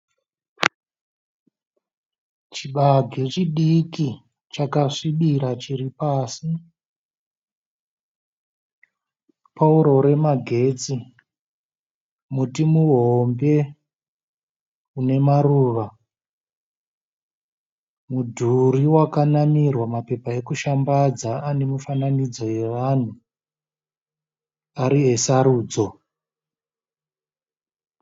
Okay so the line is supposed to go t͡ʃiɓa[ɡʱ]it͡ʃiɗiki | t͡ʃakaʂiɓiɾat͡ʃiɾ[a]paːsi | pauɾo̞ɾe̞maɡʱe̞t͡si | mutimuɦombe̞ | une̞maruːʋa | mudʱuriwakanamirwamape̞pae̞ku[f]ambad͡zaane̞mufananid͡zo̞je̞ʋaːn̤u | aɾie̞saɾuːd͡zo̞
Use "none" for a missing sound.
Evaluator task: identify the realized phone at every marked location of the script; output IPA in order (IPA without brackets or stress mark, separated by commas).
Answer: ɡʱ, i, ʃ